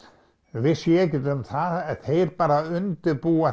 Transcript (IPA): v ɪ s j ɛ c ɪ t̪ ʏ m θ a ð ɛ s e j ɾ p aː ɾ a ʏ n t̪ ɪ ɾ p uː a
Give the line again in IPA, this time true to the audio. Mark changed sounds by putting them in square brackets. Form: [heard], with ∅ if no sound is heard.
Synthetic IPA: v ɪ s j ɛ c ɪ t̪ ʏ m θ a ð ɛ [θ] e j ɾ p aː ɾ a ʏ n t̪ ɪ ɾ p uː a

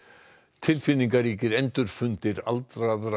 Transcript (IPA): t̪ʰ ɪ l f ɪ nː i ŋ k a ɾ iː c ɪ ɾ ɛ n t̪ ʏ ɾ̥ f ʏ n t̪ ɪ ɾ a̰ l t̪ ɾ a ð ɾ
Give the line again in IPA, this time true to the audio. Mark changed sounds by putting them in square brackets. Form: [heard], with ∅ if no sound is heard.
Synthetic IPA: t̪ʰ ɪ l f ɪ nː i ŋ k a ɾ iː c ɪ ɾ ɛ n t̪ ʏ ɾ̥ f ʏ n t̪ ɪ ɾ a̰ l t̪ ɾ a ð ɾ

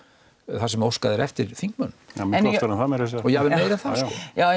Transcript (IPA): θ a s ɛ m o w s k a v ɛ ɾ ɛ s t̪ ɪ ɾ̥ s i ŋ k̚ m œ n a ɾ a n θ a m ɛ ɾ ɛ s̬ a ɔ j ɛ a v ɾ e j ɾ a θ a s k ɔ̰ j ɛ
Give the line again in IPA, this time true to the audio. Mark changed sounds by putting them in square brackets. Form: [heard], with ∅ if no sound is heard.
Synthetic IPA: θ a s ɛ m o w s k a [ð] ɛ ɾ ɛ [f] t̪ ɪ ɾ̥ [θ] i ŋ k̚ m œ n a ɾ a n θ a m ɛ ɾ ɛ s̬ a ɔ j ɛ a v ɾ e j ɾ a θ a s k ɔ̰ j [a]

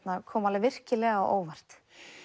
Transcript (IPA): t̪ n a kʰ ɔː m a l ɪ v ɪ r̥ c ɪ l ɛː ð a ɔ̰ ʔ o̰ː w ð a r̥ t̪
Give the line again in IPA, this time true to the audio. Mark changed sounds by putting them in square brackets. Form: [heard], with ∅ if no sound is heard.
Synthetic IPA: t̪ n a kʰ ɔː m a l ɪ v ɪ r̥ c ɪ l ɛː [ɣ] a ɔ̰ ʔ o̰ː w [v] a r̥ t̪

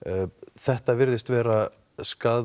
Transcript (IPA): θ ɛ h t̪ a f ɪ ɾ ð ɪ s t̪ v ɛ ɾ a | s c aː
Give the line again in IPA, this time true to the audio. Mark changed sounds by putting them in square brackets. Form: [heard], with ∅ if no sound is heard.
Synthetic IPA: θ ɛ h t̪ a [v] ɪ ɾ ð ɪ s t̪ v [ɛː] ɾ a | s [k] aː

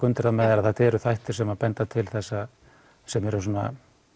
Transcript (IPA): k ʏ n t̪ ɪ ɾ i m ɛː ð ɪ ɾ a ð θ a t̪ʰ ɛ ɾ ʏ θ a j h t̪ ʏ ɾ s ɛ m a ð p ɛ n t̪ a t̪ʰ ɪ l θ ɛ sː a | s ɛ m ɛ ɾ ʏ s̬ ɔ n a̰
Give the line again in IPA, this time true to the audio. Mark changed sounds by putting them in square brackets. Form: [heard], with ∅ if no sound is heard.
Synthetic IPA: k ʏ n t̪ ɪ ɾ [a] m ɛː ð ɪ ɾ a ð θ a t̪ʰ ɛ ɾ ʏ θ a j h t̪ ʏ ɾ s ɛ m a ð p ɛ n t̪ a t̪ʰ ɪ l θ ɛ sː a | s ɛ m ɛ ɾ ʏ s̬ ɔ n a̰

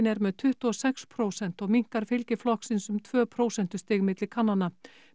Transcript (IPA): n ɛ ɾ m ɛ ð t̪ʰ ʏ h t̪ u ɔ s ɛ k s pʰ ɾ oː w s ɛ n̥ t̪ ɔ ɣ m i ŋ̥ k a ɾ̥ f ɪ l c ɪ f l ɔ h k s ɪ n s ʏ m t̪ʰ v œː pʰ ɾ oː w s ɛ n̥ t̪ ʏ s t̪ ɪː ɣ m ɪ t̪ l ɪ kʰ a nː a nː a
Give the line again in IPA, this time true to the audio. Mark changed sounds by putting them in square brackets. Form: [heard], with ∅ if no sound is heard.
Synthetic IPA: n ɛ ɾ m ɛ ð t̪ʰ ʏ h t̪ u ɔ s ɛ k s pʰ ɾ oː w s ɛ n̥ t̪ ɔ ɣ m i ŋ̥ k a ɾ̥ f ɪ l c ɪ f l ɔ h k s ɪ n s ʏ m t̪ʰ v œː pʰ ɾ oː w s ɛ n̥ t̪ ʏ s t̪ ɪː ɣ m ɪ t̪ l ɪ kʰ a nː a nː a

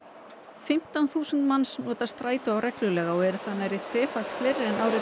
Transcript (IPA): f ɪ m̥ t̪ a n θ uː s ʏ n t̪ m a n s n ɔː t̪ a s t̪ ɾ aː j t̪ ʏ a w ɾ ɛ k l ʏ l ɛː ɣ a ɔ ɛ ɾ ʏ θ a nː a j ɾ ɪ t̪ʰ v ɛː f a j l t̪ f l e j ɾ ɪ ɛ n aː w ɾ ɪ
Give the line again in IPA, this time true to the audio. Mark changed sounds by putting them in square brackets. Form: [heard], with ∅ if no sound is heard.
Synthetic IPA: f ɪ m̥ t̪ a n θ uː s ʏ n t̪ m a n s n ɔː t̪ a s t̪ ɾ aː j t̪ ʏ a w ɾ ɛ k l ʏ l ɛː ɣ a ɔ ɛ ɾ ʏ θ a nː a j ɾ ɪ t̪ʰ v ɛː f a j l t̪ f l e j ɾ ɪ ɛ n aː w ɾ ɪ

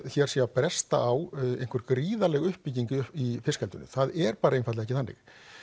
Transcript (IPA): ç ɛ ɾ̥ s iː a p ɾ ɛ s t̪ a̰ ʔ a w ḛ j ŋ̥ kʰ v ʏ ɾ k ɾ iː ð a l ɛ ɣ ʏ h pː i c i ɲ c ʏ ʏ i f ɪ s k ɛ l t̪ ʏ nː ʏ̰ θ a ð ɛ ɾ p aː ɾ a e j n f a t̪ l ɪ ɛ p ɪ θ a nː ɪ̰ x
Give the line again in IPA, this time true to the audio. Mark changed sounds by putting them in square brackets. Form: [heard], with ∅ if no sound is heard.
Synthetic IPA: ç ɛ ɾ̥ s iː a p ɾ ɛ s t̪ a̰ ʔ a w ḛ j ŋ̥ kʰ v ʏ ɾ k ɾ iː ð a l ɛ ɣ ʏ h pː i c i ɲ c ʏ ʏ i f ɪ s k ɛ l t̪ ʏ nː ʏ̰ θ a ð ɛ ɾ p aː ɾ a e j n f a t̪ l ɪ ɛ [c] ɪ θ a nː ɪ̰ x

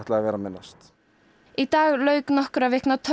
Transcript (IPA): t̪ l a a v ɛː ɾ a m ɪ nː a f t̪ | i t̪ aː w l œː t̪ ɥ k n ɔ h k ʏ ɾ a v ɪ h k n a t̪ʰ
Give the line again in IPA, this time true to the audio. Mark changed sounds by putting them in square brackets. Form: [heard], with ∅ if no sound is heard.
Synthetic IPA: t̪ l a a v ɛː ɾ a m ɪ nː a [s] t̪ | i t̪ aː [ɣ] l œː [∅] ɥ k n ɔ h k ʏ ɾ a v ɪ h k n a t̪ʰ

